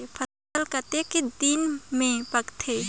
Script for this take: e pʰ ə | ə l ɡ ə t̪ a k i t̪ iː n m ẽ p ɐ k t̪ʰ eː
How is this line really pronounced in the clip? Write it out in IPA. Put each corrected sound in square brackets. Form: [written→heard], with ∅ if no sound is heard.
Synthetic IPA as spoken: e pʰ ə | ə l [ɡ→k] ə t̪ [a→e] k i [t̪→d̪] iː n m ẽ p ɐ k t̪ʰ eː